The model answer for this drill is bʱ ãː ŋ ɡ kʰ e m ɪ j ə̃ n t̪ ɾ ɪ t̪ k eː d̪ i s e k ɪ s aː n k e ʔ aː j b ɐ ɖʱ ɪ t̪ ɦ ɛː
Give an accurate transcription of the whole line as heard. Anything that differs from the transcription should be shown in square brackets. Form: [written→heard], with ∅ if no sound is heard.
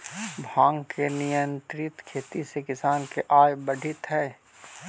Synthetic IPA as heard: bʱ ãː ŋ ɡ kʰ e [m→n] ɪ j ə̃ n t̪ ɾ ɪ t̪ [k→kʰ] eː [d̪→t̪] i s e k ɪ s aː n k e ʔ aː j b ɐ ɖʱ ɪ t̪ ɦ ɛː